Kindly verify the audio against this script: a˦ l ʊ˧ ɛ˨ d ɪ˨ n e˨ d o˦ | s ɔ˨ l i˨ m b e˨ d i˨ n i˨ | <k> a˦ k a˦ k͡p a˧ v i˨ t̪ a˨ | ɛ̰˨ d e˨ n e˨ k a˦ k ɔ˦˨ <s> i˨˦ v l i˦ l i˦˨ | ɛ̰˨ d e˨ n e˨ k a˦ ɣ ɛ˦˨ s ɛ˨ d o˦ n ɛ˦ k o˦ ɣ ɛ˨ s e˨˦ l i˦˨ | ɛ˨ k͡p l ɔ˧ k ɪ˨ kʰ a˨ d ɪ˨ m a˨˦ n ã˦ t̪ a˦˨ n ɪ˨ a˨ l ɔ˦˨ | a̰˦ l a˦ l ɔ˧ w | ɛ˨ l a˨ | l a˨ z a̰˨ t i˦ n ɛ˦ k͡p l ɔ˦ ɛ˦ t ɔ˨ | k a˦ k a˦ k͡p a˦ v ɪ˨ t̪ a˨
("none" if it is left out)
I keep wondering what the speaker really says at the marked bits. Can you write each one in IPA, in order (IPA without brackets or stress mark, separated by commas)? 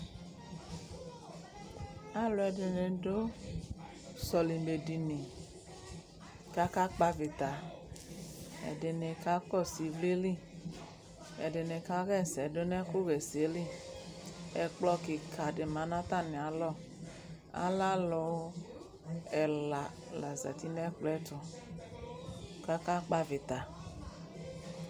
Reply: k, s